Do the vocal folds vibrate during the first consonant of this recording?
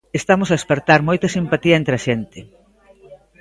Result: no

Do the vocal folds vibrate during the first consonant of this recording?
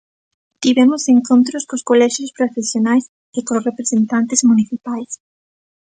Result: no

